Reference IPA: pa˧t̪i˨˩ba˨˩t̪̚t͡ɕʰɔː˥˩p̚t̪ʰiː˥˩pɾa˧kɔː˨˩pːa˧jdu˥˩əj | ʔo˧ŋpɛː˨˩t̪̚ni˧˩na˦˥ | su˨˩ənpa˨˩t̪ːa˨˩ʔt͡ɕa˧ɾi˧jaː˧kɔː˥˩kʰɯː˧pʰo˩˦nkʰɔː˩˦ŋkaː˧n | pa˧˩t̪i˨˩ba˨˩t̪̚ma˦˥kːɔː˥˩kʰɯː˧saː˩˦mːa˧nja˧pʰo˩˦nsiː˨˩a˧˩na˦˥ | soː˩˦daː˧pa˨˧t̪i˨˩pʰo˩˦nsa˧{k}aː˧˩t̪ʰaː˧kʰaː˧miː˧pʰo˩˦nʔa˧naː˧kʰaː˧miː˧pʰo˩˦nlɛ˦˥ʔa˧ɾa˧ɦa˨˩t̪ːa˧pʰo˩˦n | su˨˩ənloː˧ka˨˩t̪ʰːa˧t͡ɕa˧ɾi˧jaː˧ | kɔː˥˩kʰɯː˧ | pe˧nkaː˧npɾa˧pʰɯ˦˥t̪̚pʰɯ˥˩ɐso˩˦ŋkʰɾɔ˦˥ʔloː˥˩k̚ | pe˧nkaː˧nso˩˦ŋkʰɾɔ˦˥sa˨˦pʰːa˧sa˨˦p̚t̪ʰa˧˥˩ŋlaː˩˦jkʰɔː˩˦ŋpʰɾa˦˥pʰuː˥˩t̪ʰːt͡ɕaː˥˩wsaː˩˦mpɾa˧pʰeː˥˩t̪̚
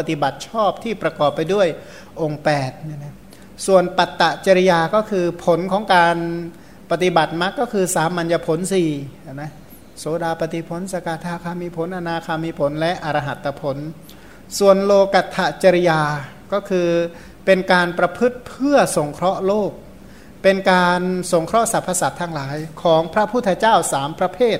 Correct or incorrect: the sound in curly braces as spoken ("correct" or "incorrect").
correct